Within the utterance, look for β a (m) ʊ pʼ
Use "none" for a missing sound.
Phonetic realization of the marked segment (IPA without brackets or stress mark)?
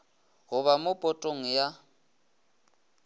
m